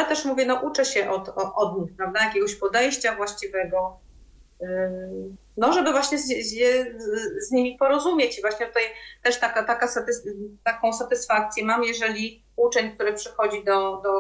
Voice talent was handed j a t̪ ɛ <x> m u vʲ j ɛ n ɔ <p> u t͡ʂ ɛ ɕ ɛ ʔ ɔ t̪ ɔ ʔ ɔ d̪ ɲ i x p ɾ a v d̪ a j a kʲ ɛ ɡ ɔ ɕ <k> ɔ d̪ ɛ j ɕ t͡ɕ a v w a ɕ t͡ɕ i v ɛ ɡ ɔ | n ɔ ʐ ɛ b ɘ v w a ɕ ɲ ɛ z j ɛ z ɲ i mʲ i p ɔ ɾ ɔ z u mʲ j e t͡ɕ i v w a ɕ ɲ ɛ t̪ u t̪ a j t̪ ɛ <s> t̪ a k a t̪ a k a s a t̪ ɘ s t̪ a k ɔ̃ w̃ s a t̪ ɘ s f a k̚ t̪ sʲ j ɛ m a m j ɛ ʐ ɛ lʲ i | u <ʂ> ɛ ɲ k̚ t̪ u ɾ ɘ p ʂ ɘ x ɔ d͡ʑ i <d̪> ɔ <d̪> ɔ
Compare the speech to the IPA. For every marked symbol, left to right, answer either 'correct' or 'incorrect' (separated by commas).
incorrect, incorrect, incorrect, incorrect, incorrect, correct, correct